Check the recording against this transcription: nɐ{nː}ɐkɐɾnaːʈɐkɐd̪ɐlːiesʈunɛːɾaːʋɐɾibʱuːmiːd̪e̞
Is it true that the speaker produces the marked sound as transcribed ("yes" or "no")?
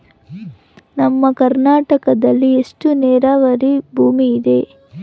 no